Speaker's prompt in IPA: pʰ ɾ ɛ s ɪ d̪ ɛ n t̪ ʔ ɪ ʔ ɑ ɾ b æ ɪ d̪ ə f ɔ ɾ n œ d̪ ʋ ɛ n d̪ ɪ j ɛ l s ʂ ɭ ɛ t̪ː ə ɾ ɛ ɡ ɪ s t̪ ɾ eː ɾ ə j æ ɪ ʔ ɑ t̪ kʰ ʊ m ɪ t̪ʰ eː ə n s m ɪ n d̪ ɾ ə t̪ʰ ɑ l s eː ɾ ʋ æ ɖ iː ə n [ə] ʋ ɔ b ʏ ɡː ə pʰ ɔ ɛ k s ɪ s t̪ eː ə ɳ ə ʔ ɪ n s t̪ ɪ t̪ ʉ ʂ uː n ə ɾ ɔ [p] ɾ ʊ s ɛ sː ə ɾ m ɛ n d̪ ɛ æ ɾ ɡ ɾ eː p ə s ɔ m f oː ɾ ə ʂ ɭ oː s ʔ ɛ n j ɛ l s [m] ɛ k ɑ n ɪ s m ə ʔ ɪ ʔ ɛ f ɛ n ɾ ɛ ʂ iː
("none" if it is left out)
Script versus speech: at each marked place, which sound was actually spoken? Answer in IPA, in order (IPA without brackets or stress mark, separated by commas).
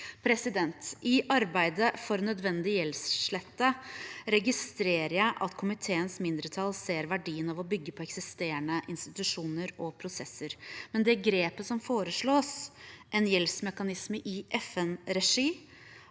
ɑ, pʰ, m